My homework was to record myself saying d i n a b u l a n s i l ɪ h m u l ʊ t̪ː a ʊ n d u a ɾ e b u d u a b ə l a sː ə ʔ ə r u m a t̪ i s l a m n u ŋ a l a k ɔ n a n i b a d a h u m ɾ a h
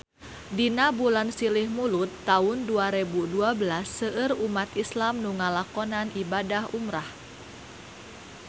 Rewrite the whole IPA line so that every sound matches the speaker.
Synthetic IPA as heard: d i n a b u l a n s i l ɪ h m u l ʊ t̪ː a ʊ n d u a ɾ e b u d u a b ə l a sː ə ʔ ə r u m a t̪ i s l a m n u ŋ a l a k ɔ n a n i b a d a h u m ɾ a h